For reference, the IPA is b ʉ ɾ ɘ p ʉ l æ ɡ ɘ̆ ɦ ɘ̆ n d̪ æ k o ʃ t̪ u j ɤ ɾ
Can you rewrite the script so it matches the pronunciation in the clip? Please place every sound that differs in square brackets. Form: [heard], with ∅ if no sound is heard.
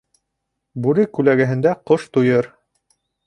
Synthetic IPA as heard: b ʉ ɾ ɘ [k] ʉ l æ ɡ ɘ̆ ɦ ɘ̆ n d̪ æ [q] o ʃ t̪ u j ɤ ɾ